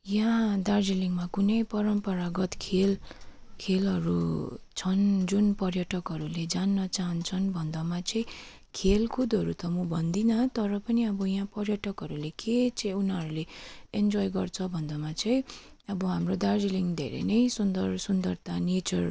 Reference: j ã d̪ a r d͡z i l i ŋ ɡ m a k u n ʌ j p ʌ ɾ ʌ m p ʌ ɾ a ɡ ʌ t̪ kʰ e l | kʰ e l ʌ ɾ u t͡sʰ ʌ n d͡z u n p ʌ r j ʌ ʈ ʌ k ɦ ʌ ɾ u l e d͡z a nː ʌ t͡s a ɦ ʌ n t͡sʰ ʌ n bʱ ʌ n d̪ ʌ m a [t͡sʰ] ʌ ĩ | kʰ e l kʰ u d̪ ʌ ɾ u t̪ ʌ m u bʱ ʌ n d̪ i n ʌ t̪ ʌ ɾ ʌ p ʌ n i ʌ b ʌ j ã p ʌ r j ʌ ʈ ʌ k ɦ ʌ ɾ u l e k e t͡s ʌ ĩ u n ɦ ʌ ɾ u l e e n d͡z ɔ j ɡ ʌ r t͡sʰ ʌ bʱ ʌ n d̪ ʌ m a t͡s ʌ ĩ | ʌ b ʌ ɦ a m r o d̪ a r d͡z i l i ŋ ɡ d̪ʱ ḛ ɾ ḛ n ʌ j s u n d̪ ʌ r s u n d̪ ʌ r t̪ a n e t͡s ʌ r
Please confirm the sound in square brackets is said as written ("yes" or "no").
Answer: no